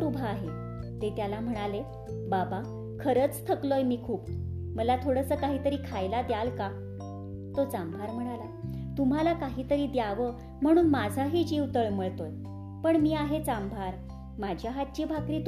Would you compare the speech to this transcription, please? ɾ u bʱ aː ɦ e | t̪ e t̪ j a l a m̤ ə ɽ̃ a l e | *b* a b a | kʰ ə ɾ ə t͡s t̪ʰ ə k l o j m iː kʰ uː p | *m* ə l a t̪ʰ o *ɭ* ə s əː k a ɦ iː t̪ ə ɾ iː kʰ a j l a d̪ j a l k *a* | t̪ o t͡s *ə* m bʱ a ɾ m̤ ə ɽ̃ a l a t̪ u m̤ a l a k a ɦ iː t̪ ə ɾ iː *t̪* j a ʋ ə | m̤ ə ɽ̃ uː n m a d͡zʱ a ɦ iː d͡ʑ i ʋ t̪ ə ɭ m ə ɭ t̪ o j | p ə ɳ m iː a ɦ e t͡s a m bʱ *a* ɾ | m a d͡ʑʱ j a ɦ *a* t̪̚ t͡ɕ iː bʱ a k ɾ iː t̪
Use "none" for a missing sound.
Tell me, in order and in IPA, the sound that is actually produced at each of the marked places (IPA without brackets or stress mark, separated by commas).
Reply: b, m, ɽ, a, a, d̪, a, a